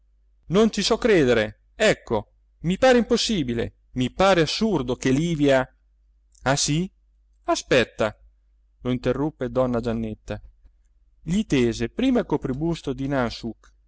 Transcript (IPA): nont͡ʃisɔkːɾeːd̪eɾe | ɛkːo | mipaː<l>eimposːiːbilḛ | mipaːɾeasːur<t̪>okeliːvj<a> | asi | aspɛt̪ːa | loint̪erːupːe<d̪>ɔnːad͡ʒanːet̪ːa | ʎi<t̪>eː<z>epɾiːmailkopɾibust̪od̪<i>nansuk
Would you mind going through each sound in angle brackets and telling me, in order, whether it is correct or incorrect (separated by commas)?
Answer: incorrect, incorrect, correct, correct, correct, correct, correct